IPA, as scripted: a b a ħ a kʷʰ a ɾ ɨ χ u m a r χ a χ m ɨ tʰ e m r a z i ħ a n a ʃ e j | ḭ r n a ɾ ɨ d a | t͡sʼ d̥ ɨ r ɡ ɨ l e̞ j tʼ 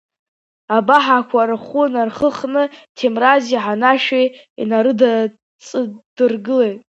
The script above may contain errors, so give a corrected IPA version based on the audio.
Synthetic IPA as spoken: a b a ħ a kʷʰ a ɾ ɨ χ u n a r χ ə χ n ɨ tʰ e m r a z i ħ a n a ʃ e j | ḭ n a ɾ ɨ d a | t͡sʼ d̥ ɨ r ɡ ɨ l e̞ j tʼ